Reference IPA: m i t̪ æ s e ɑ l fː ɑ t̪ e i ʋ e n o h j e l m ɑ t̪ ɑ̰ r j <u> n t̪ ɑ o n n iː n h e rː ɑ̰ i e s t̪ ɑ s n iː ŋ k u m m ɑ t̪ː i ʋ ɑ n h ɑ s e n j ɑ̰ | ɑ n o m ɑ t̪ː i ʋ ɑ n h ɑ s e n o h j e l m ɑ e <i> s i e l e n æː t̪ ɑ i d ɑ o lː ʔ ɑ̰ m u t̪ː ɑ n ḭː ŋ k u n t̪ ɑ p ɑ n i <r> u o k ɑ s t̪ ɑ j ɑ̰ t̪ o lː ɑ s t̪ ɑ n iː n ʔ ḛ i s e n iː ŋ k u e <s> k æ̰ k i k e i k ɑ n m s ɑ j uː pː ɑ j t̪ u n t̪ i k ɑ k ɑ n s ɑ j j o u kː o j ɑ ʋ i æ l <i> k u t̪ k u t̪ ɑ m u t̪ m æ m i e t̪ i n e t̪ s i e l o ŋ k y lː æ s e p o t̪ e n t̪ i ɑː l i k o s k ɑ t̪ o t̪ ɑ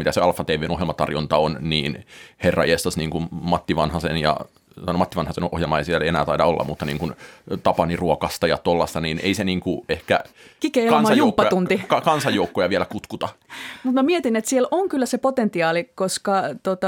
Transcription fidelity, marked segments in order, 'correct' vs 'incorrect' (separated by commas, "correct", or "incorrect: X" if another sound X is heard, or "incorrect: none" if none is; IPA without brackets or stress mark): incorrect: o, correct, correct, incorrect: h, incorrect: æ